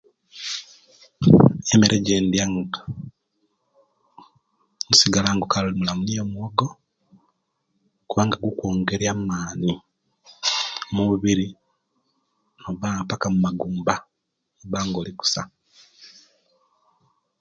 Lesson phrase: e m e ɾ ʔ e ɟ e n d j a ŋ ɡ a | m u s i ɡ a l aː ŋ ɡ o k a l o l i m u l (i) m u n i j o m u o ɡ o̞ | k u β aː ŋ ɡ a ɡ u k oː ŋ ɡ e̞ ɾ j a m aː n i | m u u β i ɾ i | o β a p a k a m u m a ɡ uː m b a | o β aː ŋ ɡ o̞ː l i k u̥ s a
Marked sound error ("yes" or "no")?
yes